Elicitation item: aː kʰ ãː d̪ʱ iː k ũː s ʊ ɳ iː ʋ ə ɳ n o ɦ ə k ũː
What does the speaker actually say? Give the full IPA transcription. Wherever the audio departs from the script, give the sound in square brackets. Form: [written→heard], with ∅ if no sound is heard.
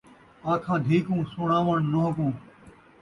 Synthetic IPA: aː kʰ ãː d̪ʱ iː k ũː s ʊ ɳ [iː→aː] ʋ ə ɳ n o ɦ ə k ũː